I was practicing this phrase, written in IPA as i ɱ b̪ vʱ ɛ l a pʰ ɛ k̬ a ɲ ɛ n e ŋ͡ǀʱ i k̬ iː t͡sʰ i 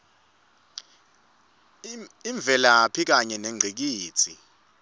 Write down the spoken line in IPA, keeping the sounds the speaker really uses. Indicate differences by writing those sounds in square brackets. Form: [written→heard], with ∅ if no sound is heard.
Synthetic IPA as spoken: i ɱ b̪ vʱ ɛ l a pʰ [ɛ→i] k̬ a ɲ ɛ n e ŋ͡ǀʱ i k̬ iː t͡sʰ i